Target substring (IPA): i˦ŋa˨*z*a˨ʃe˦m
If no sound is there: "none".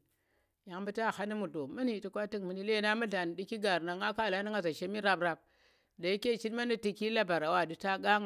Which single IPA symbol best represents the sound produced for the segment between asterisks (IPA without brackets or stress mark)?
z